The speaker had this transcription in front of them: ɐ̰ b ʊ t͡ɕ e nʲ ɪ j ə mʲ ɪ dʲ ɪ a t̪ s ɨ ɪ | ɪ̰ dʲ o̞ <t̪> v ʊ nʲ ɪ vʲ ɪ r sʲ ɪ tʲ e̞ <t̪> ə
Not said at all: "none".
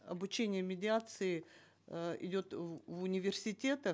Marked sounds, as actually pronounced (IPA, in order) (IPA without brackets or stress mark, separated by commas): t̪, t̪